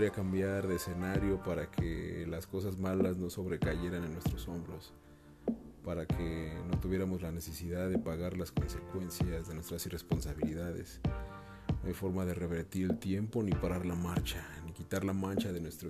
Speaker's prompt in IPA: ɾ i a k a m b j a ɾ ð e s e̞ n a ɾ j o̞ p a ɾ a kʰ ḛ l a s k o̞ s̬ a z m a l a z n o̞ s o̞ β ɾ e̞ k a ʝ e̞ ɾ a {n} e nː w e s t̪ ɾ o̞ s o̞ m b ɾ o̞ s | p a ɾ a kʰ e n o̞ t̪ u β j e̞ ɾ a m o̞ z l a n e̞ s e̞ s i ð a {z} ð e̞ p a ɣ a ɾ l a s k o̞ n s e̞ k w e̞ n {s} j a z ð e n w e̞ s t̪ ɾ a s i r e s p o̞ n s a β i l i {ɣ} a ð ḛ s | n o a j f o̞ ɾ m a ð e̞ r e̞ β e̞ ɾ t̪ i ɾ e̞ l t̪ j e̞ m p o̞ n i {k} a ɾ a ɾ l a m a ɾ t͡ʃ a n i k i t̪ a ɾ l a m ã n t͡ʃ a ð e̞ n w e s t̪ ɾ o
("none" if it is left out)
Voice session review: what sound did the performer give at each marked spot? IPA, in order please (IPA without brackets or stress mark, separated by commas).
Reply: n, ð, s, ð, p